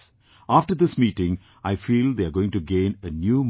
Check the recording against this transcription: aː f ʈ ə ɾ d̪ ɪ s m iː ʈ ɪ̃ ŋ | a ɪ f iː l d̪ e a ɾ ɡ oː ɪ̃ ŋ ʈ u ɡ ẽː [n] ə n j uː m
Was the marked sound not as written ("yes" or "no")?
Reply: no